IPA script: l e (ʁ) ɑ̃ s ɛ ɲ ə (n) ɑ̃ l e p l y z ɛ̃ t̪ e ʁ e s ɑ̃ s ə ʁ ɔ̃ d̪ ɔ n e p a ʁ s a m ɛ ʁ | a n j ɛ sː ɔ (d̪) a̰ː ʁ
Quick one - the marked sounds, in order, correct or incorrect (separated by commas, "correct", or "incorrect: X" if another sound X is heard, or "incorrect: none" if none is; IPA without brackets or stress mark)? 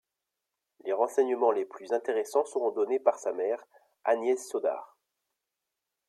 correct, incorrect: m, correct